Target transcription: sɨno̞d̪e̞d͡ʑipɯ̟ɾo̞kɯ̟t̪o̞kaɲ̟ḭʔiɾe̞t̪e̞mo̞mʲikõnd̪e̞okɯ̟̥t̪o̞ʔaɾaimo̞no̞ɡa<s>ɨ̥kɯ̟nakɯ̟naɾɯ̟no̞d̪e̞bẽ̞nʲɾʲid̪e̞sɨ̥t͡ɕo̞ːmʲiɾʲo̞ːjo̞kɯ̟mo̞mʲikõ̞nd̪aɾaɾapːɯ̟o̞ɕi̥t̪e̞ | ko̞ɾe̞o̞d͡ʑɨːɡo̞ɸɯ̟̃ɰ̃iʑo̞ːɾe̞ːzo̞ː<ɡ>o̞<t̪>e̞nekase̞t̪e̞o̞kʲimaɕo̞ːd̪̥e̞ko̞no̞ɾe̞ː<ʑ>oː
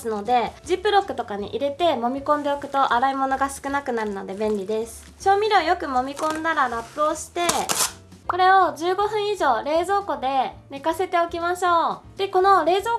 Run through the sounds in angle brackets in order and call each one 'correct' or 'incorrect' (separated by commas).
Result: correct, incorrect, incorrect, incorrect